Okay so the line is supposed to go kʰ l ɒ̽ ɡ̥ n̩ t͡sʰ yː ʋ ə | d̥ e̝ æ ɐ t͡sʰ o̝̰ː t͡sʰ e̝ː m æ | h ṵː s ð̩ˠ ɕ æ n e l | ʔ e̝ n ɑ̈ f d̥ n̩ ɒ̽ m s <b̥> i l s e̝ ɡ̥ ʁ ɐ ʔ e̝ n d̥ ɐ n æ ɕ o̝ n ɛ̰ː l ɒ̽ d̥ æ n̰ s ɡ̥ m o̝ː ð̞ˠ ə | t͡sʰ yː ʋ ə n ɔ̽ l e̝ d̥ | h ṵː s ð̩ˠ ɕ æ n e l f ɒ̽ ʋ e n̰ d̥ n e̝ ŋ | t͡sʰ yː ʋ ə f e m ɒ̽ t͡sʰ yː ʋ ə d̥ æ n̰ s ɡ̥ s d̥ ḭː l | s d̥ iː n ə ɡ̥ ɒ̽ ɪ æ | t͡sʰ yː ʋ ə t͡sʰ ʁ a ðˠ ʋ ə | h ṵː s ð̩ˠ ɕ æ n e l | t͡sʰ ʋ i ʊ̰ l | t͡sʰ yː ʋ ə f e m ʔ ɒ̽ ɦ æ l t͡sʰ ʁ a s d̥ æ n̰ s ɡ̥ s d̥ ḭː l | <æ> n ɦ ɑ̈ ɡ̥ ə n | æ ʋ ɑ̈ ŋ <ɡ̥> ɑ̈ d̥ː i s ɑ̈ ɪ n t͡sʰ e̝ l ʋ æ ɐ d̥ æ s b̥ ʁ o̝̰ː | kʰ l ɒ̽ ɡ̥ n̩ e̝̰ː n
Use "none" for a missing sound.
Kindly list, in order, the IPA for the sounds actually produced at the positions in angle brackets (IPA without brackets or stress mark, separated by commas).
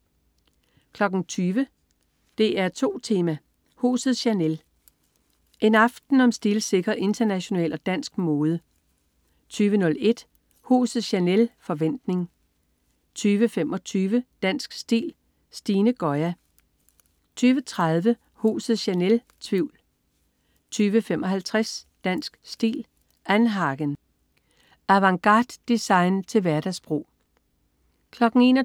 d̥, æ, ɡ̥